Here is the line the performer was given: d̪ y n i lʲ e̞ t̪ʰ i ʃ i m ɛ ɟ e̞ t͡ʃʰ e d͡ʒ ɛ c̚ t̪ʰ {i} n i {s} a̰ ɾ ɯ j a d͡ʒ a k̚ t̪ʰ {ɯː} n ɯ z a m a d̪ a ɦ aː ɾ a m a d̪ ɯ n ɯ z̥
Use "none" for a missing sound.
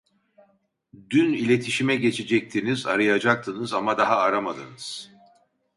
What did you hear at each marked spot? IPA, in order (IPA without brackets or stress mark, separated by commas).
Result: i, z, ɯ